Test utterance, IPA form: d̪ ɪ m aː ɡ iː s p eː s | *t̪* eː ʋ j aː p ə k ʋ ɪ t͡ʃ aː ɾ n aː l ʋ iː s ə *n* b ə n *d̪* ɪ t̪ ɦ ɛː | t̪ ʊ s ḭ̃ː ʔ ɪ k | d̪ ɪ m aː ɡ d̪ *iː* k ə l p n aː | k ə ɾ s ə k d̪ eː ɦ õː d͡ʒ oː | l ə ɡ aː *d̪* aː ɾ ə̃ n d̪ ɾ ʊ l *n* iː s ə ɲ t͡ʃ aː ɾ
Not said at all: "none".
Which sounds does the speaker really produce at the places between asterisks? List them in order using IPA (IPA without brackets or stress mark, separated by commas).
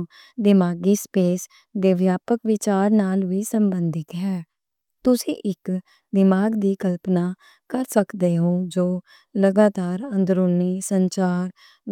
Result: d̪, m, d̪, iː, t̪, n